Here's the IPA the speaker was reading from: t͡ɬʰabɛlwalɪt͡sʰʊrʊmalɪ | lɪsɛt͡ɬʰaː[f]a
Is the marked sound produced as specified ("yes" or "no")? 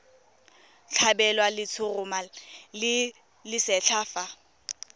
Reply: yes